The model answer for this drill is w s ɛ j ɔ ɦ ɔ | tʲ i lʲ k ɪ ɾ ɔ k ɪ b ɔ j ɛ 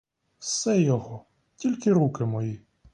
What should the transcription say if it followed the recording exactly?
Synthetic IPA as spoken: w s ɛ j ɔ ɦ ɔ | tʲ i lʲ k ɪ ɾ u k ɪ m ɔ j i